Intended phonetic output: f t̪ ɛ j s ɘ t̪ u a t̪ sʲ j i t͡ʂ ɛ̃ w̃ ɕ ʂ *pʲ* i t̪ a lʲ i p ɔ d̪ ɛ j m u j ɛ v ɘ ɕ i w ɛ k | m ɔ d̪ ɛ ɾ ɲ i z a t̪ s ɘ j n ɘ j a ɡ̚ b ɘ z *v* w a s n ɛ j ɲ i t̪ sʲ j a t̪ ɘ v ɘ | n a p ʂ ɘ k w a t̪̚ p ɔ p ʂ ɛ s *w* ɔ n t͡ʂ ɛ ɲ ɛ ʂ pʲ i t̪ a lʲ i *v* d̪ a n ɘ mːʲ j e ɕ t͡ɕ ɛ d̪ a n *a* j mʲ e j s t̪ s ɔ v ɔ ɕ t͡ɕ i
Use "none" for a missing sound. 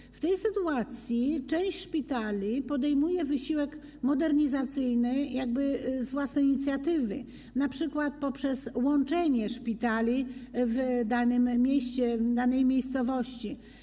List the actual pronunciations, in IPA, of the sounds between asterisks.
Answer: pʲ, v, w, v, ɛ

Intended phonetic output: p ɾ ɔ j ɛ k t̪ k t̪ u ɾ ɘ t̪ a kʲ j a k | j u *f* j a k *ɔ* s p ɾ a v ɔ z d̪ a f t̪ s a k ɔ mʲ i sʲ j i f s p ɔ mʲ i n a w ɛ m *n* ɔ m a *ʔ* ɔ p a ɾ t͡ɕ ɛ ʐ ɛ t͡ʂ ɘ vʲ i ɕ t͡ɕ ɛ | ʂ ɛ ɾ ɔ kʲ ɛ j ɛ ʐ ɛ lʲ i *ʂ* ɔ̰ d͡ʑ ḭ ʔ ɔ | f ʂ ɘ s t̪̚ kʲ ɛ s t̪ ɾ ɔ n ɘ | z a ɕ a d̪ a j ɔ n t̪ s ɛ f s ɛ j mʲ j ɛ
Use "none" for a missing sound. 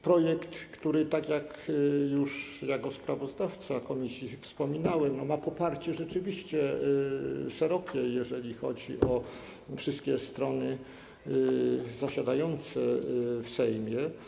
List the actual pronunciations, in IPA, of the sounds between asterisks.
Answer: ʂ, ɔ, n, p, x

